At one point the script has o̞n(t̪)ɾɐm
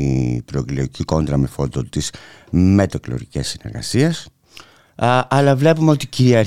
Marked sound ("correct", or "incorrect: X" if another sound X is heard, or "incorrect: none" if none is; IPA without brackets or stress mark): incorrect: d̪